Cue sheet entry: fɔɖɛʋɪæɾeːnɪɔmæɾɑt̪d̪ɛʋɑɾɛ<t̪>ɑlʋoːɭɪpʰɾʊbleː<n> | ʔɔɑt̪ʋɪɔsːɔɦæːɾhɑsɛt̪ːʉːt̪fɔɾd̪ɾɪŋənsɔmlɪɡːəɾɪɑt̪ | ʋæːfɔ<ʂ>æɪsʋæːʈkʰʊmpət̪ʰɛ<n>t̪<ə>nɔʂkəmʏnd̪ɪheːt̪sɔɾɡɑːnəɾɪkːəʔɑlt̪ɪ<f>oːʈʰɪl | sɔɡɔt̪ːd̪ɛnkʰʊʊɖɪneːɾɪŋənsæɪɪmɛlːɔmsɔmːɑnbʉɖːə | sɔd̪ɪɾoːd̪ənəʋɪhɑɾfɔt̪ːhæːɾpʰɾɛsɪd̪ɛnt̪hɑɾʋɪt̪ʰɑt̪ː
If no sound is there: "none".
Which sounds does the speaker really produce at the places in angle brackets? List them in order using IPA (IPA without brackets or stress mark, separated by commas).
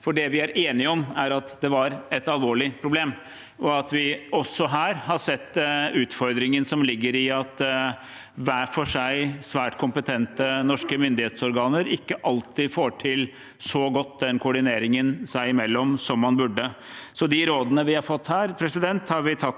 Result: t̪, m, ʂ, n, ə, f